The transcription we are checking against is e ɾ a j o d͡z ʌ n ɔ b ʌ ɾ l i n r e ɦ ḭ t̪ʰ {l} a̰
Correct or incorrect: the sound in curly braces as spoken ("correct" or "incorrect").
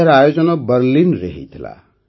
correct